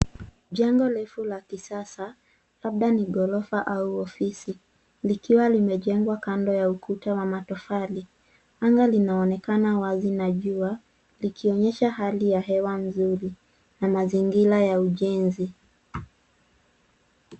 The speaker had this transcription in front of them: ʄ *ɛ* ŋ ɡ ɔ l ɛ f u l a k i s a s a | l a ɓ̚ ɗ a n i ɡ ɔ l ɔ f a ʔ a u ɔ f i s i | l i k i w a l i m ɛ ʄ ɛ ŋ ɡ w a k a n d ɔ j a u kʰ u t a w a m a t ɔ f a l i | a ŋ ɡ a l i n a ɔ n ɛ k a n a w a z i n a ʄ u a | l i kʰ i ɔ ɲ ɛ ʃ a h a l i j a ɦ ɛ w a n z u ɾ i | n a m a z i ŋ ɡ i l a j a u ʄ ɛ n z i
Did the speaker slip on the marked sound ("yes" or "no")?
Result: yes